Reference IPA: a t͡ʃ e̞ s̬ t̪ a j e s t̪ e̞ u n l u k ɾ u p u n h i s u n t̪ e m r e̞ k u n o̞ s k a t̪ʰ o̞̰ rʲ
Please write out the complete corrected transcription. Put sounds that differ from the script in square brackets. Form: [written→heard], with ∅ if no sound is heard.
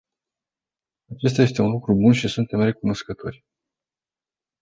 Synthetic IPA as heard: a t͡ʃ e̞ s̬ t̪ a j e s t̪ e̞ u n l u k ɾ u [p→b] u n [h→ʃ] i s u n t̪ e m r e̞ k u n o̞ s k [a→ə] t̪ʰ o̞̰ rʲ